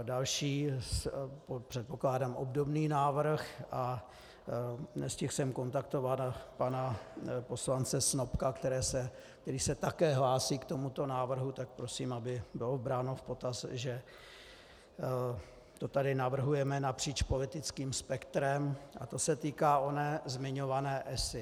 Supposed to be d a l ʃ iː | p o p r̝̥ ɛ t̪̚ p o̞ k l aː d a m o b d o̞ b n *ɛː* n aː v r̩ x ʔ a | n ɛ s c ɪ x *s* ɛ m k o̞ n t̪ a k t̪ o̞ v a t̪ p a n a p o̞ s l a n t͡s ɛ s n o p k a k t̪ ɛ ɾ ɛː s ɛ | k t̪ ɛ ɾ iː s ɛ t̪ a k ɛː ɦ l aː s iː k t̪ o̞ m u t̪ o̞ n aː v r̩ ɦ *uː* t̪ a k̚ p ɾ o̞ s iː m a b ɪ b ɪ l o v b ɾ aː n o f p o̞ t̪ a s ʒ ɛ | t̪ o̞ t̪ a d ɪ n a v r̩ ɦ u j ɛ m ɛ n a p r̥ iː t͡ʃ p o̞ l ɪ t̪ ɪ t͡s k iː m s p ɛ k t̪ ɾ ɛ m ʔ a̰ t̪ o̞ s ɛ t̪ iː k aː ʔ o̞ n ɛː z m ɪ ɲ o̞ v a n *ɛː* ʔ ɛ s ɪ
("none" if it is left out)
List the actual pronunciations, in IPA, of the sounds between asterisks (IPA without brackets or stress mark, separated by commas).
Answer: iː, s, u, ɛː